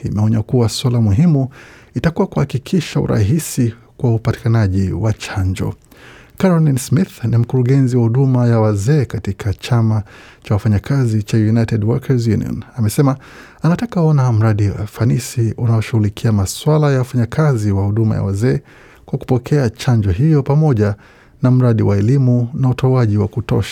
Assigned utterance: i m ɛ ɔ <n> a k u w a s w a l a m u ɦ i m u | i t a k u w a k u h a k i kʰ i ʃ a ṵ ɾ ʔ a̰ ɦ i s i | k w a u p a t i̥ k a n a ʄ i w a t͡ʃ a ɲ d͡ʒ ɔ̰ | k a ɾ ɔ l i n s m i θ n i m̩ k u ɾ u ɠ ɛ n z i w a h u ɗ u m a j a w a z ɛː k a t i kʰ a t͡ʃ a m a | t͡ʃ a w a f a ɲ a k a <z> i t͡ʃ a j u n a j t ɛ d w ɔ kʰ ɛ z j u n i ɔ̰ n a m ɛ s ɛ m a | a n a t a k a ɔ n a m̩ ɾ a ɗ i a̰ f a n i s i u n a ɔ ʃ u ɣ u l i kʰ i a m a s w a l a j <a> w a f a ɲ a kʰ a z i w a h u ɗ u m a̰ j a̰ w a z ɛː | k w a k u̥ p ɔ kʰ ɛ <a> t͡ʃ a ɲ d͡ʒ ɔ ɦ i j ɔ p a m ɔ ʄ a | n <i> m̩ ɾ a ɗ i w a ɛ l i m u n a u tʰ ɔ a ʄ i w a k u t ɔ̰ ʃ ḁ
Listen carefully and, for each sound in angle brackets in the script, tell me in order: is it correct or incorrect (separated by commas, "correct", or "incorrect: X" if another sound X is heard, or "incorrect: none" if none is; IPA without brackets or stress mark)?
incorrect: ɲ, correct, correct, correct, incorrect: a